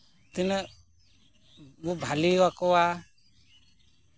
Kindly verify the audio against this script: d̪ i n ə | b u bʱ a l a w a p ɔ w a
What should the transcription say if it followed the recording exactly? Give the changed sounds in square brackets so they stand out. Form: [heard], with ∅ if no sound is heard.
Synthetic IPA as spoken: [t̪] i n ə | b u bʱ a l [i] w a [k] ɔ w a